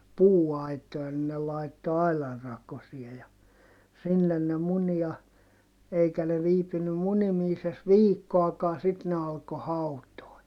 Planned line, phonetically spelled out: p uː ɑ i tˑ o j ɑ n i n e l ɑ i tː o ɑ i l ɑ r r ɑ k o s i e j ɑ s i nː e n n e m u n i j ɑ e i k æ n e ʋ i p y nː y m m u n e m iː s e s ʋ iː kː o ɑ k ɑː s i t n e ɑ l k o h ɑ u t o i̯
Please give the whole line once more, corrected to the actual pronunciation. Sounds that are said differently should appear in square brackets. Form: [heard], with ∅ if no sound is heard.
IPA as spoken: p uː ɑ i tˑ o j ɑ n i n e l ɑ i tː o ɑ i l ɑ r r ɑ k o s i e j ɑ s i nː e n n e m u n i j ɑ e i k æ n e ʋ [iː] p y nː y m m u n [i] m iː s e s ʋ iː kː o ɑ k ɑː s i t n e ɑ l k o h ɑ u t o i̯